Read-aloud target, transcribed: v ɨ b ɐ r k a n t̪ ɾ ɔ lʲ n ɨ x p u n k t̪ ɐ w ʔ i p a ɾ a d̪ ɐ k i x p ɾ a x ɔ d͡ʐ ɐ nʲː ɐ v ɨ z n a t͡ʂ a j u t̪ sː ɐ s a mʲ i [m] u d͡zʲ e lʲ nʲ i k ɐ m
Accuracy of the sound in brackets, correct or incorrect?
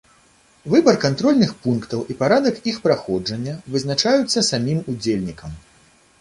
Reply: correct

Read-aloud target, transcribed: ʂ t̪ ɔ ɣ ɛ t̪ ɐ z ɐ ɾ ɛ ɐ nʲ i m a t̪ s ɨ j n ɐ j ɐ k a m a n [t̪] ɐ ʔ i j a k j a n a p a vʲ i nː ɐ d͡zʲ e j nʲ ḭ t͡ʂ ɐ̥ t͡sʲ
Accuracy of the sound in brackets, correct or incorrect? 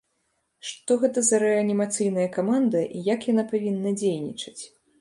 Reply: incorrect: d̪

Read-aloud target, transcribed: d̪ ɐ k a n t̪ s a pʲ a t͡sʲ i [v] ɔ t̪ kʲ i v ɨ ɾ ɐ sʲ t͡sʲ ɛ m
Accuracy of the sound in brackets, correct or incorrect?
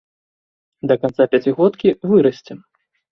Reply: incorrect: ɣ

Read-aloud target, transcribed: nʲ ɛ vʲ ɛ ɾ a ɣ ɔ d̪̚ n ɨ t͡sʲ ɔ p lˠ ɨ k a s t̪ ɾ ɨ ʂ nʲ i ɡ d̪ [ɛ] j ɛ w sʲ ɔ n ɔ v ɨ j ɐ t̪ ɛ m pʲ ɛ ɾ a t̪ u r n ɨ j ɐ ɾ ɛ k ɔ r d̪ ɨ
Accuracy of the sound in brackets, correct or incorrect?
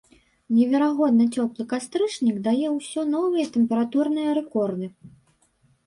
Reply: incorrect: a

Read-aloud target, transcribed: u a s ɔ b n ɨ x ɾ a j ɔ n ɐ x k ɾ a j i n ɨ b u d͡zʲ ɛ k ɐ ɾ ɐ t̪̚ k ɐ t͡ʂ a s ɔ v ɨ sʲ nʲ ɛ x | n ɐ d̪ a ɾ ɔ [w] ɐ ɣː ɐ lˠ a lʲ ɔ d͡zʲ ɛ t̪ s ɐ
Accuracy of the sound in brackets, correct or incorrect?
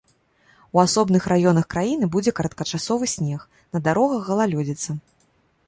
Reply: incorrect: ɣ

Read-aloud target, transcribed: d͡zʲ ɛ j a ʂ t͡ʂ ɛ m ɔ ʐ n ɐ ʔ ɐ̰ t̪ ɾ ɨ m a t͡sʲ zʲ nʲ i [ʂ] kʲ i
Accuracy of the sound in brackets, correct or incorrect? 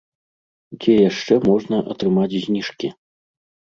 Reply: correct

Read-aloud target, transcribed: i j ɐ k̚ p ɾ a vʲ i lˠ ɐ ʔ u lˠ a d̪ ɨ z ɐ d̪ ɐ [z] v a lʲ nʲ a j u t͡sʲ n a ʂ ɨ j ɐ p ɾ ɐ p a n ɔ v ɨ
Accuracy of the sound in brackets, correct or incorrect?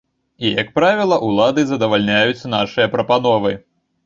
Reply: incorrect: none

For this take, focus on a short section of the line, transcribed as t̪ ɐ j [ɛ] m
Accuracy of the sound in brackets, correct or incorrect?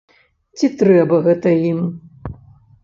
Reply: incorrect: i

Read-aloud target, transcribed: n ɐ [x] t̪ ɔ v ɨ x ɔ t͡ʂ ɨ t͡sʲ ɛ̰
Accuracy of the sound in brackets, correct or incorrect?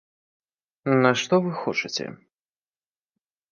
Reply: incorrect: ʂ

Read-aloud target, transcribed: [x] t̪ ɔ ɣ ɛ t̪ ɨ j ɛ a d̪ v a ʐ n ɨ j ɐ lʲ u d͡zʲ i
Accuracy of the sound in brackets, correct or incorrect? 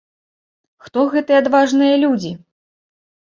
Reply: correct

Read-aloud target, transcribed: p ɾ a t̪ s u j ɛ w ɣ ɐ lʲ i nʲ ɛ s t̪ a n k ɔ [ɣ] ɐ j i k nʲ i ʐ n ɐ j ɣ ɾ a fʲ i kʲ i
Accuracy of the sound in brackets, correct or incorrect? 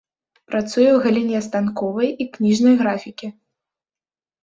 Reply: incorrect: v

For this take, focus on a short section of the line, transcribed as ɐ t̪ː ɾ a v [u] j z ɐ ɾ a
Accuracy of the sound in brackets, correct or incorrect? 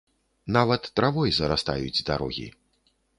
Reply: incorrect: ɔ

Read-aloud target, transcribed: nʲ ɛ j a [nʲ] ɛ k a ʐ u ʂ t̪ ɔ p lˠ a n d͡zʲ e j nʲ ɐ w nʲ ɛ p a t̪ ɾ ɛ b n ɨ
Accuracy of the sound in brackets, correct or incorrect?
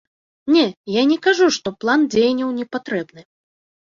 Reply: correct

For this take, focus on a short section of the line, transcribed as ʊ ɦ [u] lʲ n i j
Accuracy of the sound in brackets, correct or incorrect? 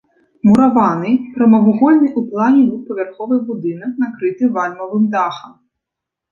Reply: incorrect: ɔ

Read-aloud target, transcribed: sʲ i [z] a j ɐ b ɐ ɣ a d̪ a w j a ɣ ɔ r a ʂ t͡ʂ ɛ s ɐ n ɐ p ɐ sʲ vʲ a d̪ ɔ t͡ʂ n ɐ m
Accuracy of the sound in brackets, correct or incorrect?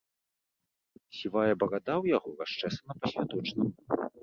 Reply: incorrect: v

